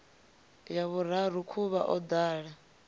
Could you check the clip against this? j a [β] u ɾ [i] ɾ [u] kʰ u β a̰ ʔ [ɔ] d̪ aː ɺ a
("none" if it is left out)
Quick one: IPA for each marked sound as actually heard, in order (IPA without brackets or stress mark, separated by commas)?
β, a, u, ɔ